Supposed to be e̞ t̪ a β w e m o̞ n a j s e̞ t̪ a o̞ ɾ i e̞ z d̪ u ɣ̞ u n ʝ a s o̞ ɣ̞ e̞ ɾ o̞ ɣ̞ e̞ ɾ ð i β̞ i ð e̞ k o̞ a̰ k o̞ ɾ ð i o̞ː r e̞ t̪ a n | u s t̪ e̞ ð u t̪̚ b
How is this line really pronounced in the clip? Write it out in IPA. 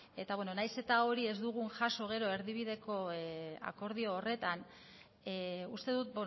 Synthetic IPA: e̞ t̪ a β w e n o̞ n a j s e̞ t̪ a o̞ ɾ i e̞ z d̪ u ɣ̞ u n ʝ a s o̞ ɣ̞ e̞ ɾ o̞ e̞ ɾ ð i β̞ i ð e̞ k o̞ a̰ k o̞ ɾ ð i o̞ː r e̞ t̪ a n | u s t̪ e̞ ð u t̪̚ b